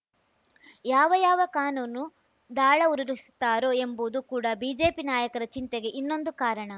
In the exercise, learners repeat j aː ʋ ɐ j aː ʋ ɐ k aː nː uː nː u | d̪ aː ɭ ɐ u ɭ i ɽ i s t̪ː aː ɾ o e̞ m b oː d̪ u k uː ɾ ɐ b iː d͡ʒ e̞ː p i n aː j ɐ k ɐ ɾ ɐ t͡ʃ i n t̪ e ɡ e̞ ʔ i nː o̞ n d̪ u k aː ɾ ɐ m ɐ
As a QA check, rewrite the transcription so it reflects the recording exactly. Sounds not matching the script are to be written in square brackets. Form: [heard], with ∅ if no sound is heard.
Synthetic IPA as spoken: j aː ʋ ɐ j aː ʋ ɐ k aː [n] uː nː u | d̪ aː ɭ ɐ u [ɾ] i [ɾ] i s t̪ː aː ɾ o e̞ m b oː d̪ u k uː [ɽ] ɐ b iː d͡ʒ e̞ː p i n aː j ɐ k ɐ ɾ ɐ t͡ʃ i n t̪ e ɡ e̞ ʔ i nː o̞ n d̪ u k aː ɾ ɐ [ɳ] ɐ